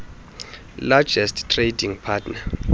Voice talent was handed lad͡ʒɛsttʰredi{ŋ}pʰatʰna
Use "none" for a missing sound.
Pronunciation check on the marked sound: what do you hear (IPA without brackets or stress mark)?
ŋ